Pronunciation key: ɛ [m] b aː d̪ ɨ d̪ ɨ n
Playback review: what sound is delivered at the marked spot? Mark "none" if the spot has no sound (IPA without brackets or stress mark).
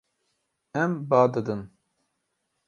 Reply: m